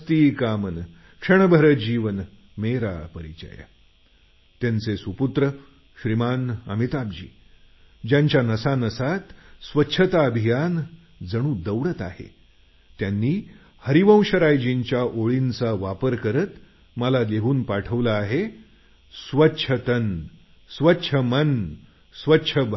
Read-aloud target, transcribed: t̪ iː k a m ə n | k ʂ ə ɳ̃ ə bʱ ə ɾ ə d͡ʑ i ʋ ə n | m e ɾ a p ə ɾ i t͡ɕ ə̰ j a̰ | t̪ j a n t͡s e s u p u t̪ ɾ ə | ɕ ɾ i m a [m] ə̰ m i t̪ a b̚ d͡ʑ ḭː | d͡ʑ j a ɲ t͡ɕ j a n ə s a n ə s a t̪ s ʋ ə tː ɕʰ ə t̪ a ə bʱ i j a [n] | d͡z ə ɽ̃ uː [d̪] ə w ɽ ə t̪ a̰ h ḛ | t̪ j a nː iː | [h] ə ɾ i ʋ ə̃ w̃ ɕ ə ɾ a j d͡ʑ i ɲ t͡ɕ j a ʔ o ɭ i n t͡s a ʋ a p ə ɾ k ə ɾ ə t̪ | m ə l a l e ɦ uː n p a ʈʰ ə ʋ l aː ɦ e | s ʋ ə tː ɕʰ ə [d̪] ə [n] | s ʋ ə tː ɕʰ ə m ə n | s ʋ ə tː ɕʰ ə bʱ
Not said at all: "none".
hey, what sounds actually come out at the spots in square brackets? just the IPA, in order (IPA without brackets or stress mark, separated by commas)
n, n, d̪, h, t̪, n